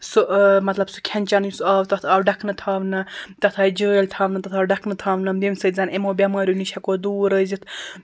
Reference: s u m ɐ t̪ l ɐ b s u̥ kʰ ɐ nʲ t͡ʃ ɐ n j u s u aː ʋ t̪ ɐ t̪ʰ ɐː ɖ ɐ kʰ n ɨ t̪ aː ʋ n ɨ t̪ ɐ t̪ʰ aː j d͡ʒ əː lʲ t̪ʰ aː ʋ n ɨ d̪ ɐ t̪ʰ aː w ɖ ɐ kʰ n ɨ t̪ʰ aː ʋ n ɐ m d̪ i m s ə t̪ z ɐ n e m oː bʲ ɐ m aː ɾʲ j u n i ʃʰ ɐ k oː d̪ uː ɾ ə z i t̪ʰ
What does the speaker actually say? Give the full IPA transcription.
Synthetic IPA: s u m ɐ t̪ l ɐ b s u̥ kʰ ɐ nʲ t͡ʃ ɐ n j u s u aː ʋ t̪ ɐ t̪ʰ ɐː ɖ ɐ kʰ n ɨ t̪ʰ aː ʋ n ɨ t̪ ɐ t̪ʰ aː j d͡ʒ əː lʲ t̪ʰ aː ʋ n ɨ t̪ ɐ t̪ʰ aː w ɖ ɐ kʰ n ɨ t̪ʰ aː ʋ n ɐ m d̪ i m s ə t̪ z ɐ n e m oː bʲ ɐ m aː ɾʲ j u n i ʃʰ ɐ k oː d̪ uː ɾ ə z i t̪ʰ